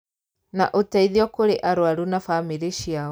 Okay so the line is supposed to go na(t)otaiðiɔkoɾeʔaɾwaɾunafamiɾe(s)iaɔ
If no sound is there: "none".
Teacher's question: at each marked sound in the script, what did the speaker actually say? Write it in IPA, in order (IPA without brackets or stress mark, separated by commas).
ʔ, ʃ